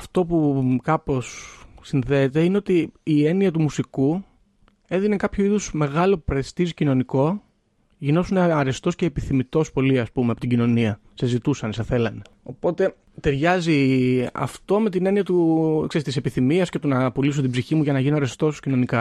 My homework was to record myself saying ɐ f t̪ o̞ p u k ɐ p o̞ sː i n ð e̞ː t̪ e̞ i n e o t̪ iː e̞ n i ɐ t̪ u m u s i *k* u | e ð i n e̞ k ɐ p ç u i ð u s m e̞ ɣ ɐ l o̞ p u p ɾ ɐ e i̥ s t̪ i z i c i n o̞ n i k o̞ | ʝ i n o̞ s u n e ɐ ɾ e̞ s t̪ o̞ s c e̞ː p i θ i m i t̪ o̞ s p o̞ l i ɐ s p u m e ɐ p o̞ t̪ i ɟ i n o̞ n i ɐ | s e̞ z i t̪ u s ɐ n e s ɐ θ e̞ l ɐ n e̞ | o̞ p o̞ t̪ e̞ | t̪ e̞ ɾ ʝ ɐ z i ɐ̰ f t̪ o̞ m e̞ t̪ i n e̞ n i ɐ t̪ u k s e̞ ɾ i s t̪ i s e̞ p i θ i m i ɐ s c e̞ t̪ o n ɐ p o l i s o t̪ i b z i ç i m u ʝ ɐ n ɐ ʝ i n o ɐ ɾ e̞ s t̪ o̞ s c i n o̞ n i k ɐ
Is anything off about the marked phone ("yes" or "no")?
no